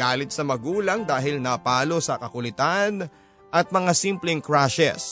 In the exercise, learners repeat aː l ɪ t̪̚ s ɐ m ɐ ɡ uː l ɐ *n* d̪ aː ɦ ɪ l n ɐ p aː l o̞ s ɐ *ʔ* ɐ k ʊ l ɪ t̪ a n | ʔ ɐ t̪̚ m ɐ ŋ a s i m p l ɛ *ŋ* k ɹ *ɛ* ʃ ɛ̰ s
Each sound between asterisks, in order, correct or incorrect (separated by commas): incorrect, incorrect, correct, incorrect